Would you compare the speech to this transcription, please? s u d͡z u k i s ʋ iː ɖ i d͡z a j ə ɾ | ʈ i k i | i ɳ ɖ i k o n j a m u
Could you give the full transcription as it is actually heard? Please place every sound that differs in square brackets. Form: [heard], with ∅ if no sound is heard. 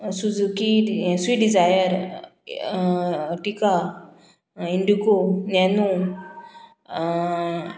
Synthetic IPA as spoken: s u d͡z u k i s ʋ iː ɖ i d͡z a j ə ɾ | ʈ i k [a] | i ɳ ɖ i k o n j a [n] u